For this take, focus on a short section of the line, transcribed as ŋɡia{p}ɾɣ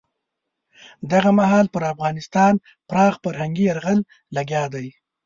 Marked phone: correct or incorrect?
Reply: incorrect